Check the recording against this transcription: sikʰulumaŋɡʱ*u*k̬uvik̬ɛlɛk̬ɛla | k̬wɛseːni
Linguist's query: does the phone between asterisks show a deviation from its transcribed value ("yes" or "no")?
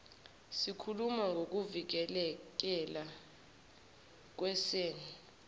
yes